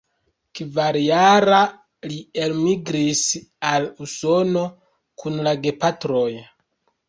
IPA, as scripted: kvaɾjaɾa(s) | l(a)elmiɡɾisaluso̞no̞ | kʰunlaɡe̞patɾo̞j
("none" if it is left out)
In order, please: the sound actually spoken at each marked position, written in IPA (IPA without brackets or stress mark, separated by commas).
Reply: none, i